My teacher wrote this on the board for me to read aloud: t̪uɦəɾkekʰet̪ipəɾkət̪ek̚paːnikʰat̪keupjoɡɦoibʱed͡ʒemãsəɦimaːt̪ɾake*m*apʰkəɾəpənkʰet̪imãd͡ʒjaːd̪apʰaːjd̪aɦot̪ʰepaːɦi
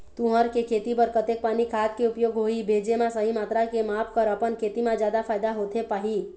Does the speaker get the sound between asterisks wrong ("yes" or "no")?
no